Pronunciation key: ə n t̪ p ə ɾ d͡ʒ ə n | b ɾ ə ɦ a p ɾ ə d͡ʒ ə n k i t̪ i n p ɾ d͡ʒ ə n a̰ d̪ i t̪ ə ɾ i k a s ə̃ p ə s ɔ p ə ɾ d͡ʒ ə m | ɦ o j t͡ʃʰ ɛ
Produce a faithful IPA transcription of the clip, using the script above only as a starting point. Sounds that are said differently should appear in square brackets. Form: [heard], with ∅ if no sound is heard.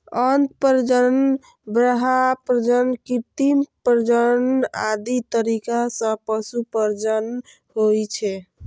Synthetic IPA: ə n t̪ p ə ɾ d͡ʒ ə n | b ɾ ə ɦ a p ɾ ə d͡ʒ ə n k i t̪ i [m] p ɾ d͡ʒ ə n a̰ d̪ i t̪ ə ɾ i k a s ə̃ p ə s [u] p ə ɾ d͡ʒ ə [n] | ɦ o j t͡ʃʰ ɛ